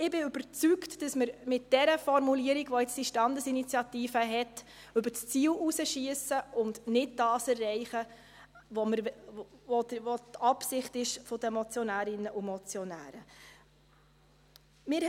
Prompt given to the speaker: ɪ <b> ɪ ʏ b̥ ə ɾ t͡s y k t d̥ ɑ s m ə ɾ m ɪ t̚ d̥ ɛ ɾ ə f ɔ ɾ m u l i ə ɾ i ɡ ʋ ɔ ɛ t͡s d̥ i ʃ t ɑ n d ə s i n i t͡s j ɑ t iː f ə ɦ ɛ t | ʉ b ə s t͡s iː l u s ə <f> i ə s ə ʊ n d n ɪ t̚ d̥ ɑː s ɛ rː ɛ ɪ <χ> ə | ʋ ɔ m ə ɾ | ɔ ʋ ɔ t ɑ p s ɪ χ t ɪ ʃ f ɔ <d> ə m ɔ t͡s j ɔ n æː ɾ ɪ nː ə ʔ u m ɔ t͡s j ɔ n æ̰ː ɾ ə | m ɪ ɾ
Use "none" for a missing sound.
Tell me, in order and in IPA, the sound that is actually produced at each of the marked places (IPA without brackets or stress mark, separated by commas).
b, ʃ, χ, d